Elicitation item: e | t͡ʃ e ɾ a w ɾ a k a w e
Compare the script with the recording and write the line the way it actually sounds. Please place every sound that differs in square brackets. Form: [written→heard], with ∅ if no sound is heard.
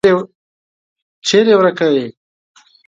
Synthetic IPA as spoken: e | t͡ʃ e ɾ [a→e] w ɾ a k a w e